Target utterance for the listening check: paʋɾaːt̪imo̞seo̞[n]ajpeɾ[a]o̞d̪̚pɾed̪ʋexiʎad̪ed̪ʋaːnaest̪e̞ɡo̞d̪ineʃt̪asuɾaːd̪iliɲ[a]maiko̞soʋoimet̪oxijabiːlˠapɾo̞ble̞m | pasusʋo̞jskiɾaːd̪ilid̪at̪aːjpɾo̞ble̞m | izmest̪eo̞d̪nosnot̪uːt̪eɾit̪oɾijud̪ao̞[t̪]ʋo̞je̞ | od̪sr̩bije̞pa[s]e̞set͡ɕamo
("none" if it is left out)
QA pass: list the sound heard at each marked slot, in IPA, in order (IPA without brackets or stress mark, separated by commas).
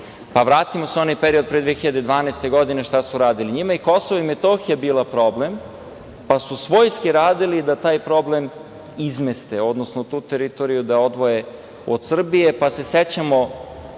n, i, i, d̪, s